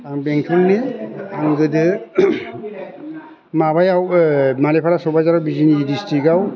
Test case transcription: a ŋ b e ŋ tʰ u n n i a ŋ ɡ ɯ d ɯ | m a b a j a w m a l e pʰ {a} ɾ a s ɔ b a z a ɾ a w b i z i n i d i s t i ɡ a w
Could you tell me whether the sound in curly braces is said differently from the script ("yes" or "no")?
no